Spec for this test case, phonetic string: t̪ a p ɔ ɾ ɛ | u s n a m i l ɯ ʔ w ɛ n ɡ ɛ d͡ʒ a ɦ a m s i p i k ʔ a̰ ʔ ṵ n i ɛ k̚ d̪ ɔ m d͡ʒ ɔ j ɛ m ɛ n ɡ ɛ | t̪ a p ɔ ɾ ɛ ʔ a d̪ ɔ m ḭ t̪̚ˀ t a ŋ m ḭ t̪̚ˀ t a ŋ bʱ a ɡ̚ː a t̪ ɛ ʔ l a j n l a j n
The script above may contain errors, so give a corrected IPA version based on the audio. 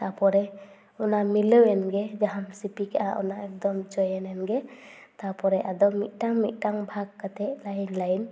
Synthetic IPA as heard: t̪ a p ɔ ɾ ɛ | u n a m i l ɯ w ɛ n ɡ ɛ d͡ʒ a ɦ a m s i p i k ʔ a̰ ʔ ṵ n a ɛ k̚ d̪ ɔ m d͡ʒ ɔ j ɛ n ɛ n ɡ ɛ | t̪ a p ɔ ɾ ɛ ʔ a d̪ ɔ m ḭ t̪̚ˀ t a ŋ m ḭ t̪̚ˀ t a ŋ bʱ a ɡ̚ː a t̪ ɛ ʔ l a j n l a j n